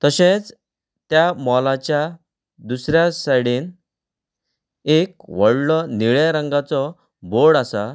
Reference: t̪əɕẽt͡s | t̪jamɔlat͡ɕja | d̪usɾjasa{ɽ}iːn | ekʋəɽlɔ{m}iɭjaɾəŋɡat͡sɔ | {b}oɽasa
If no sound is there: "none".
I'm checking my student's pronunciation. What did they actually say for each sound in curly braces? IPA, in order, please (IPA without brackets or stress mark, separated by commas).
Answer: ɽ, n, b